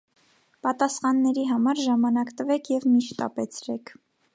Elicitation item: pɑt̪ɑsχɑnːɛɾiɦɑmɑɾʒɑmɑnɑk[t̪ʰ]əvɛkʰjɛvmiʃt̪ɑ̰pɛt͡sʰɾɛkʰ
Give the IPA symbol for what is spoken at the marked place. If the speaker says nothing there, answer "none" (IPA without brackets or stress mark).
t̪